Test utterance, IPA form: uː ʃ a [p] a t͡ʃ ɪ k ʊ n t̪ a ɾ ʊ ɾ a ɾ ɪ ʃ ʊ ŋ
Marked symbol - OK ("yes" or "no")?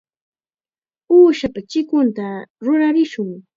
yes